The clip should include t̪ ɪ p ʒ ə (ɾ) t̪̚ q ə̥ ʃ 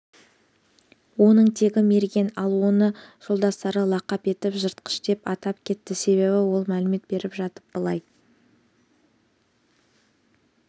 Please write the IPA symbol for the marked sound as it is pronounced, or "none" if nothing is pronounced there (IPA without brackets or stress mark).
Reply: ɾ